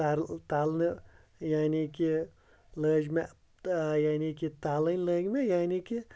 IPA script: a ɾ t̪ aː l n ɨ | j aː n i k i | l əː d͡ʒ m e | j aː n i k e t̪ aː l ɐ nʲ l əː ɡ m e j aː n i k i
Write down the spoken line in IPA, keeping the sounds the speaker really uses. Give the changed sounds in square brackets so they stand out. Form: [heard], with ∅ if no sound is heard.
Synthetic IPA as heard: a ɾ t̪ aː l n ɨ | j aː n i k i | l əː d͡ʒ m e | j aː n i k [i] t̪ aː l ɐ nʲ l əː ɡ m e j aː n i k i

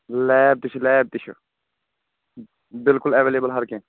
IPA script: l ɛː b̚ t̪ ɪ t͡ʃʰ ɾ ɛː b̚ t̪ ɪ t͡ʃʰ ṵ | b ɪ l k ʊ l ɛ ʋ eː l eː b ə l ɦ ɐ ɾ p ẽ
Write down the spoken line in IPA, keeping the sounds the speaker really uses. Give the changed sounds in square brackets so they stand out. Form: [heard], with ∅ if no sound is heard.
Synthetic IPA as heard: l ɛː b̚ t̪ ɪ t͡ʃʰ [l] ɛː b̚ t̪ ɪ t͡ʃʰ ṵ | b ɪ l k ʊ l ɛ ʋ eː l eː b ə l ɦ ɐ ɾ [k] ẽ

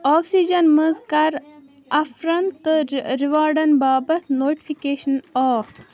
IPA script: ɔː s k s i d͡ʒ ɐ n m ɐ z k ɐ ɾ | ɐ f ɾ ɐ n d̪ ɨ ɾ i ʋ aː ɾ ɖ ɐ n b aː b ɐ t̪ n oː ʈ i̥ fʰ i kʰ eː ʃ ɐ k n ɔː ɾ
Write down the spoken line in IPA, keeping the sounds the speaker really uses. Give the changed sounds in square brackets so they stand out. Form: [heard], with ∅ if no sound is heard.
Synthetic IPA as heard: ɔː [∅] k s i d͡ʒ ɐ n m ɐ z k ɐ ɾ | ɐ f ɾ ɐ n [t̪] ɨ ɾ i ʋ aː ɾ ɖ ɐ n b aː b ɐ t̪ n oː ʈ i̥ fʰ i [k] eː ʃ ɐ [∅] n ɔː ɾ

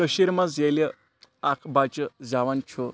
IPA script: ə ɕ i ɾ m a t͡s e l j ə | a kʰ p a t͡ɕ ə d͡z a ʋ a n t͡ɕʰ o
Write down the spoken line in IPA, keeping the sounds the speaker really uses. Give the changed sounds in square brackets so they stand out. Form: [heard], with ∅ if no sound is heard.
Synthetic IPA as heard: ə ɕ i ɾ m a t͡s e l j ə | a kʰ [b] a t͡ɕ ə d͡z a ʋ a n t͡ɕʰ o

